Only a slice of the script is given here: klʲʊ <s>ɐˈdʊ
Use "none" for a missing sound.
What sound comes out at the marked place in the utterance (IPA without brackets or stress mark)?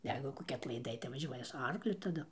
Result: t